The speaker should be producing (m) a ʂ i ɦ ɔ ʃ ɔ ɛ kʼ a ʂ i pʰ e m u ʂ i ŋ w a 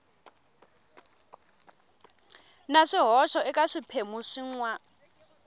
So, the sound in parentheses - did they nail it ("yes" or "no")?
no